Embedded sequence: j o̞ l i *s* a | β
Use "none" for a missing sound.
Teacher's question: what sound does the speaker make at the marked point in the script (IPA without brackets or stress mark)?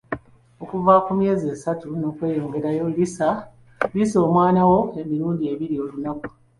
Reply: s